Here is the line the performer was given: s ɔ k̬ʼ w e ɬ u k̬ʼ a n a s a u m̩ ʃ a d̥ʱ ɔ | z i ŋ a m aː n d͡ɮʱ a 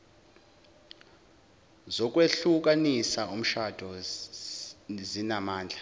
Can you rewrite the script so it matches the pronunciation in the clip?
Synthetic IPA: z ɔ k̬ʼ w e ɬ u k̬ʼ a n i s a u m̩ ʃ a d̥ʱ ɔ | z i n a m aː n d͡ɮʱ a